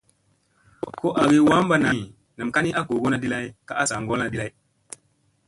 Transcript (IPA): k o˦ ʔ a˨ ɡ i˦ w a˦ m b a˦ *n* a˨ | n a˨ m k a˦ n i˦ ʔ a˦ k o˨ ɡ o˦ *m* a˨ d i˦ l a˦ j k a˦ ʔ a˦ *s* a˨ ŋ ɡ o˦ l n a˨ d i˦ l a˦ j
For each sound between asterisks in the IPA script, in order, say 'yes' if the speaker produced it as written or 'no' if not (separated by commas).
yes, no, yes